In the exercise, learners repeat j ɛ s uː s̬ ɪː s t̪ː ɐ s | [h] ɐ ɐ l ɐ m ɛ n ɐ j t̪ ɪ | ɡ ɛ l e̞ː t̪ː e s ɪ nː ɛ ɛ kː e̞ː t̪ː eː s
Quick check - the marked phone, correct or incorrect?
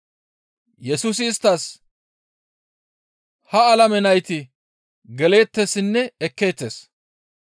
correct